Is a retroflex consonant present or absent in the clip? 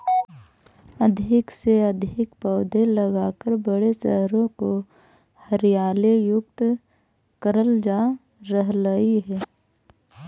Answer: present